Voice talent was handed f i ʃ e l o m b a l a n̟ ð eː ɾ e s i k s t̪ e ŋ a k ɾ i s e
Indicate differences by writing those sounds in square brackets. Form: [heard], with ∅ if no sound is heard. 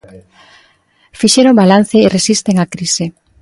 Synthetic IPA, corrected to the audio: f i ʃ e [ɾ] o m b a l a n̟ [θ] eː [r] e s i [∅] s t̪ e ŋ a k ɾ i s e